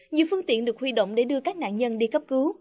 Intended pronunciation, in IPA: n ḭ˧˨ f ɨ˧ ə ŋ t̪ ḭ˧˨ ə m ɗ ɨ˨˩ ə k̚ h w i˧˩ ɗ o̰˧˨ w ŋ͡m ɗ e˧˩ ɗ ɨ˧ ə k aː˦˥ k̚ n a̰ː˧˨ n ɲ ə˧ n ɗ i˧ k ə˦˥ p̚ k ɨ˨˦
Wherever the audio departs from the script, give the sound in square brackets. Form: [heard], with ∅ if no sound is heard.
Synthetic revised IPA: [ɲ] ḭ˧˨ f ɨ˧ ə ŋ t̪ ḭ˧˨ ə [n] ɗ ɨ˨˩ ə k̚ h w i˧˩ ɗ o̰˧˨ w ŋ͡m ɗ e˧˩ ɗ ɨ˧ ə k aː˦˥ k̚ n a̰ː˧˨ n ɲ ə˧ n ɗ i˧ k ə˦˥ p̚ k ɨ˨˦